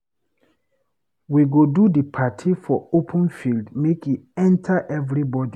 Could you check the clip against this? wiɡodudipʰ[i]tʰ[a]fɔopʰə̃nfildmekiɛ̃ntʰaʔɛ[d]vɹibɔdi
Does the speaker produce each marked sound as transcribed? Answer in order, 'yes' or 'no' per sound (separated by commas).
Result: no, no, no